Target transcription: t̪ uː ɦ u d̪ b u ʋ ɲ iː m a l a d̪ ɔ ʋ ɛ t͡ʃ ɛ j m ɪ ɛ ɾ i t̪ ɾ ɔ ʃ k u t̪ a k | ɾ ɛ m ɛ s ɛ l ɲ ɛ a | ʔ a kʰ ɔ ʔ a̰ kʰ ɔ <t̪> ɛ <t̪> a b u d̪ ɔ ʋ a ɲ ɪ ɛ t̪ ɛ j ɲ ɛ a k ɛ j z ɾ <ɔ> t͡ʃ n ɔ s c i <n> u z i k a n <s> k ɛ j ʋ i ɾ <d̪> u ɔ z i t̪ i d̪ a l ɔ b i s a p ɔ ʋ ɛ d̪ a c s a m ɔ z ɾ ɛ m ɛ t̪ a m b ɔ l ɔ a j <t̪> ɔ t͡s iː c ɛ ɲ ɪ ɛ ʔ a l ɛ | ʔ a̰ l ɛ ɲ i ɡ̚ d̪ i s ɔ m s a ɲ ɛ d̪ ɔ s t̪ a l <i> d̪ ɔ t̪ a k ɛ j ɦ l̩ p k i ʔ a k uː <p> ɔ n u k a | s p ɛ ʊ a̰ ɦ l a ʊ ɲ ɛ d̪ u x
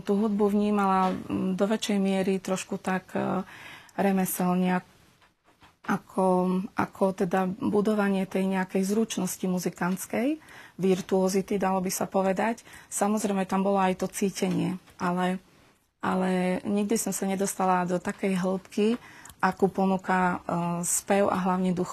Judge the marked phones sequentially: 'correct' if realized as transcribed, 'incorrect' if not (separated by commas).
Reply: correct, incorrect, incorrect, incorrect, incorrect, incorrect, correct, incorrect, correct